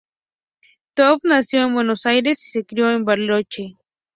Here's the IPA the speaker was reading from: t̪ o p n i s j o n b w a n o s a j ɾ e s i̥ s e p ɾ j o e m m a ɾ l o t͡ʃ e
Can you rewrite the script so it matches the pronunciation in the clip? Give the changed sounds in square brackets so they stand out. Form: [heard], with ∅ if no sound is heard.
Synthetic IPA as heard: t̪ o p n [a] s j o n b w [e] n o s a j ɾ e s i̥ s e [k] ɾ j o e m [b] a ɾ l o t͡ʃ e